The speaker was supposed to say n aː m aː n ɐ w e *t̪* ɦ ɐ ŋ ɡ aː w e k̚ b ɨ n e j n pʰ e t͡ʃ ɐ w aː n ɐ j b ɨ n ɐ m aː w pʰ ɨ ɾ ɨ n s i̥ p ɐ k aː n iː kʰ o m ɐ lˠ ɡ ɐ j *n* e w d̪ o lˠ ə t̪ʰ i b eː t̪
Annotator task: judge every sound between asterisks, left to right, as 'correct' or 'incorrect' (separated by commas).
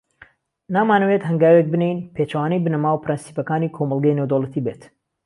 correct, correct